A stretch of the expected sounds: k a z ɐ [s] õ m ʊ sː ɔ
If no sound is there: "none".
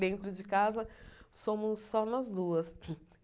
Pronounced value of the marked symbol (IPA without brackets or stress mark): s